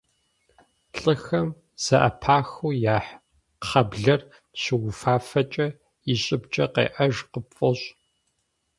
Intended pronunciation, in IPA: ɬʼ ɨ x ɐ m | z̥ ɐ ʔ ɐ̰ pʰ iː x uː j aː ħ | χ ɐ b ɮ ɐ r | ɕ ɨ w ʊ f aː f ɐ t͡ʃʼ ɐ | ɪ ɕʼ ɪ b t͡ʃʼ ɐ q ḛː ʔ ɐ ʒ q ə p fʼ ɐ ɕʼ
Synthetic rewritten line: ɬʼ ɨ x ɐ m | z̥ ɐ ʔ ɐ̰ pʰ aː x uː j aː ħ | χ ɐ b ɮ ɐ r | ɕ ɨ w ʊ f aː f ɐ t͡ʃʼ ɐ | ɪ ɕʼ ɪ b t͡ʃʼ ɐ q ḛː ʔ ɐ ʒ q ə p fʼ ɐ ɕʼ